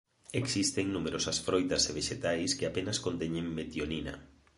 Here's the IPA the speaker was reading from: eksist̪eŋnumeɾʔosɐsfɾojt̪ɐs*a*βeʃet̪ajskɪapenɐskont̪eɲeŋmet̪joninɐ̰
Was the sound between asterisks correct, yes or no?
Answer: no